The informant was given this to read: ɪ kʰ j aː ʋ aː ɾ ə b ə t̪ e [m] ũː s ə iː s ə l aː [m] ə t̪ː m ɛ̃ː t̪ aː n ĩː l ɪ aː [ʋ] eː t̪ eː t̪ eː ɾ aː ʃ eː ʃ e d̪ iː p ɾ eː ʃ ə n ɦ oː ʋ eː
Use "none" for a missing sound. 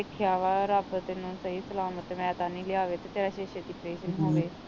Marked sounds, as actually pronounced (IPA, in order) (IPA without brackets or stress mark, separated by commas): n, m, ʋ